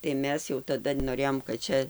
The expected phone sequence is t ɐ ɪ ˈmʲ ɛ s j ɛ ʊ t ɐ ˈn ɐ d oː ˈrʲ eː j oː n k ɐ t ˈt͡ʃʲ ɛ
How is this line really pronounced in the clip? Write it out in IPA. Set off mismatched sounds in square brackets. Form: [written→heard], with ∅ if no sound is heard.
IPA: t ɐ ɪ ˈmʲ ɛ s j ɛ ʊ t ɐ [ˈn→ˈd] ɐ [d→n] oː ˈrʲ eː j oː [n→m] k ɐ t ˈt͡ʃʲ ɛ